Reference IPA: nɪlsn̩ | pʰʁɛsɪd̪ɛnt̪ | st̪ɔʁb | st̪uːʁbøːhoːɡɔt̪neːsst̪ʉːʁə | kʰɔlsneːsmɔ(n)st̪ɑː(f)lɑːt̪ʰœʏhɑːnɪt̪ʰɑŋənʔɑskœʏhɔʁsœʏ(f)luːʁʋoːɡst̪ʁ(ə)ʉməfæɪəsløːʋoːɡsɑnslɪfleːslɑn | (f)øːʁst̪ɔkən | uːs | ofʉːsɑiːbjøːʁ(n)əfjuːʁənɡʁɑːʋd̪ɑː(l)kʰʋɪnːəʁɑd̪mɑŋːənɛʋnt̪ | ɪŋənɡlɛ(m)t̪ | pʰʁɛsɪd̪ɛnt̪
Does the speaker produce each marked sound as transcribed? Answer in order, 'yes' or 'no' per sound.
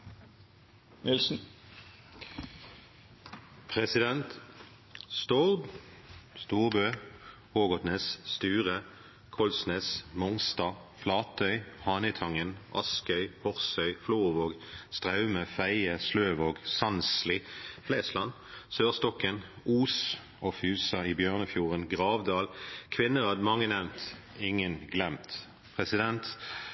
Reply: no, yes, yes, no, no, yes, yes, yes

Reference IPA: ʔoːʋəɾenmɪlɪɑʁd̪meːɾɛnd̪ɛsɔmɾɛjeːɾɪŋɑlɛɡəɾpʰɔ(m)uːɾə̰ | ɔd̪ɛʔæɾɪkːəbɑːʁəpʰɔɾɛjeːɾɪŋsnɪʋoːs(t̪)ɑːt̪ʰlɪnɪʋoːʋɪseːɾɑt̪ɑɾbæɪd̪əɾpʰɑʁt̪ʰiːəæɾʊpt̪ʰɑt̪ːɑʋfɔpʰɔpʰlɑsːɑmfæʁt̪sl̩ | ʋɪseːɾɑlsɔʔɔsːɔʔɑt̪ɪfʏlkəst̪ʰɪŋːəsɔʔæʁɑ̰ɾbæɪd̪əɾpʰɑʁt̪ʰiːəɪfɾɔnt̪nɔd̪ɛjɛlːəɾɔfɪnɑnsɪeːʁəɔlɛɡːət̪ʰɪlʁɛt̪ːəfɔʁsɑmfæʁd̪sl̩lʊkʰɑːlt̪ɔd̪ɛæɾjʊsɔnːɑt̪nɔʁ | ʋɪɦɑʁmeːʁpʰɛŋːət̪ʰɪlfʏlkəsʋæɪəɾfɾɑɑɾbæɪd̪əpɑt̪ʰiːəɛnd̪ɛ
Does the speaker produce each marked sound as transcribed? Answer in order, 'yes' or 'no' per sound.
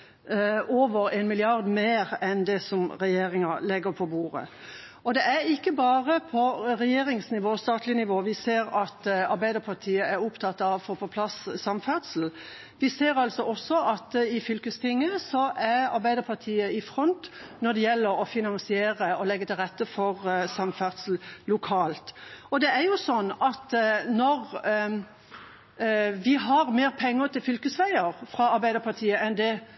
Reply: no, yes

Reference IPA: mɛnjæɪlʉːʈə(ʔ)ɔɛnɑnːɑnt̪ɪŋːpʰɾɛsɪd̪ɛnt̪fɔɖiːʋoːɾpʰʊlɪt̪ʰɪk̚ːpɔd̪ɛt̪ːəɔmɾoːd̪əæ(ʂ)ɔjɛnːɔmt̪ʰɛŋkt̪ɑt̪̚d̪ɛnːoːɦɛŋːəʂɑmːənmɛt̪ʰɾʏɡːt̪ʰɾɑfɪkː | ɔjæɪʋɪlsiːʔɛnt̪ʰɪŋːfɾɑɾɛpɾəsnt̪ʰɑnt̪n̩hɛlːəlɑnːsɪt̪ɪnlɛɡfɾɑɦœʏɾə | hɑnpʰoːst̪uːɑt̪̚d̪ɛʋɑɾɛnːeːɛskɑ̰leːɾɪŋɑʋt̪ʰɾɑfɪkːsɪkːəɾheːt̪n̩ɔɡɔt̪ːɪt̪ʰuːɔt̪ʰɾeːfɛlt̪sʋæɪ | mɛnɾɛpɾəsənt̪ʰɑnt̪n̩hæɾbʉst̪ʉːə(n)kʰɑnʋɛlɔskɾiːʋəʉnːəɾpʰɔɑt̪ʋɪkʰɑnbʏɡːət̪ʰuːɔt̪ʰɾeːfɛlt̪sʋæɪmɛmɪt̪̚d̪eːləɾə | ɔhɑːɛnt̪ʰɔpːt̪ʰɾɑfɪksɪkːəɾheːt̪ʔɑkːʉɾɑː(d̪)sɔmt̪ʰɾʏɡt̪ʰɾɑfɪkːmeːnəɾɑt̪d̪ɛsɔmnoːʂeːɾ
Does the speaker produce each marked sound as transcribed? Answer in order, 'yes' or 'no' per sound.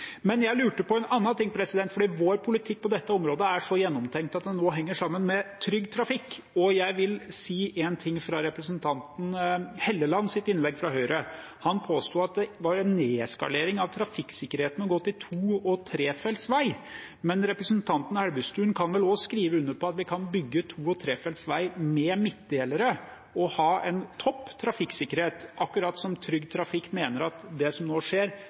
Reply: no, yes, yes, no

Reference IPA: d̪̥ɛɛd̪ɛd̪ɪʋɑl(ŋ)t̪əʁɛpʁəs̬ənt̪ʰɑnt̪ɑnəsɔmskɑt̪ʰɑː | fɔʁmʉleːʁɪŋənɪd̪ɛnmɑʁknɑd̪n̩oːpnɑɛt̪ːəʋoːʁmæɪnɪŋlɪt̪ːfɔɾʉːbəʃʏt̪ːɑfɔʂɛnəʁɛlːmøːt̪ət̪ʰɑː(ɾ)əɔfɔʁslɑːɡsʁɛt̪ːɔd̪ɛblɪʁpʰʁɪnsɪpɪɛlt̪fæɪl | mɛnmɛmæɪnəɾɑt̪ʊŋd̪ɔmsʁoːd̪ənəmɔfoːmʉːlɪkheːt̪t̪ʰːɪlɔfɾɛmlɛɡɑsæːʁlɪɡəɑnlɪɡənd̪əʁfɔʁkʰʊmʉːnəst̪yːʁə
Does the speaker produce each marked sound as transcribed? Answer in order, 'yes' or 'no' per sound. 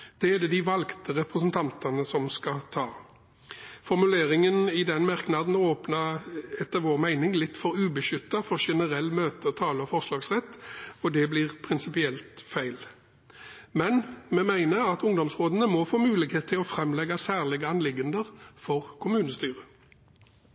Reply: no, no

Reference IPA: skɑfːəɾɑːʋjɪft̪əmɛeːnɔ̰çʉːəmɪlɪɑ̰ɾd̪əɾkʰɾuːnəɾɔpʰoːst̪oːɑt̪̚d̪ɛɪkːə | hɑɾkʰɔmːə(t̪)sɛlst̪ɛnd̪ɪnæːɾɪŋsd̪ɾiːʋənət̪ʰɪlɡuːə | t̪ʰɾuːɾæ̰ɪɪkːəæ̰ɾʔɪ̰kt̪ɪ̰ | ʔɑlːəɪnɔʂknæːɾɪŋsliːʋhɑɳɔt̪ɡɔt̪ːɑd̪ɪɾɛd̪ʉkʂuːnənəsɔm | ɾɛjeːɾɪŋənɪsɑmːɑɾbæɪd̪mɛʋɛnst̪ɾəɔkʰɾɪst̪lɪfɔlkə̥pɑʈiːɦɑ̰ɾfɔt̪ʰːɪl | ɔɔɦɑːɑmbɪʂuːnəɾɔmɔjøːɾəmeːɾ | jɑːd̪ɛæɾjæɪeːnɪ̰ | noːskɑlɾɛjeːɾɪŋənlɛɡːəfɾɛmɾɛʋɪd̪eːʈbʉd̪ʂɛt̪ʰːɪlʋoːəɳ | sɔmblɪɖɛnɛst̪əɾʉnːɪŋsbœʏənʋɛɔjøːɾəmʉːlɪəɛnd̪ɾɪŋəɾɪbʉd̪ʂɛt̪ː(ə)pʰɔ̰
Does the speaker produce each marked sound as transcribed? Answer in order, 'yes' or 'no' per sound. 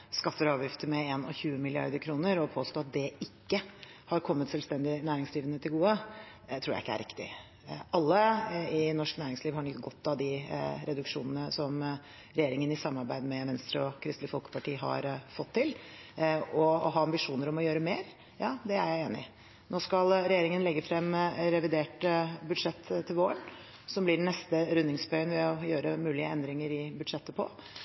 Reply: yes, yes

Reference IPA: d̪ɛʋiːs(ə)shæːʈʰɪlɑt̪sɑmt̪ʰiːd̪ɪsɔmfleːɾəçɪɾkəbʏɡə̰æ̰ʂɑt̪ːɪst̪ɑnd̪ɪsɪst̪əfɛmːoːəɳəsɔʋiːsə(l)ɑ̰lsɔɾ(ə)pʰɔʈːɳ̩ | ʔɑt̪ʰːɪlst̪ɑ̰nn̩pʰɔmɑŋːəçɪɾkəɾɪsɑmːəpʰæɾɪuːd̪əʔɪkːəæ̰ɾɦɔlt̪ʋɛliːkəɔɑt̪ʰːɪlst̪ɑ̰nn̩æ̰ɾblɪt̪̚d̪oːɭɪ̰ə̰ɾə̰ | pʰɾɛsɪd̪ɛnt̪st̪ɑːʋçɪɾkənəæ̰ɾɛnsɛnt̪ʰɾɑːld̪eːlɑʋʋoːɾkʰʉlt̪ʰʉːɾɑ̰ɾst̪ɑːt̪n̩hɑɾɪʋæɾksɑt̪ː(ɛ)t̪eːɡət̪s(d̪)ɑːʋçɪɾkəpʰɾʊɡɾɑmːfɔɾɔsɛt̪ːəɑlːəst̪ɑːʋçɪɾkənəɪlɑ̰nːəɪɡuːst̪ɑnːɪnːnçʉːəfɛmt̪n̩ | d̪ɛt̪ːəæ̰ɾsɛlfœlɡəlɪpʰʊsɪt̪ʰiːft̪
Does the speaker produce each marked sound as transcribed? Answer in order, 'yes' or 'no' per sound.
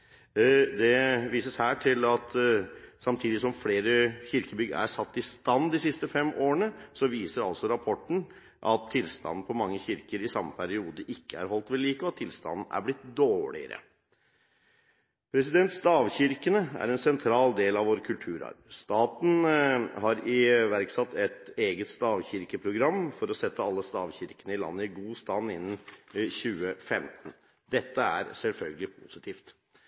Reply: yes, no, no, yes, no

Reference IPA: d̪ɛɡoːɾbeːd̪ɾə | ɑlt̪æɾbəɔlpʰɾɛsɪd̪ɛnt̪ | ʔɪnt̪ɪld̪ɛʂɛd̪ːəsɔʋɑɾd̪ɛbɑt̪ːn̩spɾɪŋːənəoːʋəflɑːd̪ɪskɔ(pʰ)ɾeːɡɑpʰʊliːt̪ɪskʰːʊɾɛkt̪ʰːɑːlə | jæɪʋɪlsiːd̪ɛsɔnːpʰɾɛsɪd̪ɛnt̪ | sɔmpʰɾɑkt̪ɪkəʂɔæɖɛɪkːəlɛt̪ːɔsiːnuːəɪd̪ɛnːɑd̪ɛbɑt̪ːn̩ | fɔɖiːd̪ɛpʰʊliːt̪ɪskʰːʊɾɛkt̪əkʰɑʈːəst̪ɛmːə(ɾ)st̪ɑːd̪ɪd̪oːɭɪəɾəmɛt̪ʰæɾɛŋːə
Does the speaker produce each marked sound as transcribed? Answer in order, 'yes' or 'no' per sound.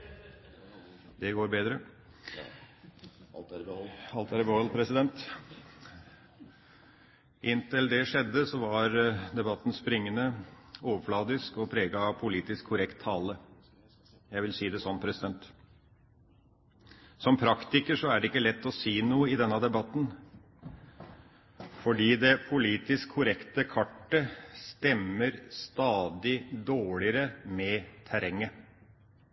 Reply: yes, yes

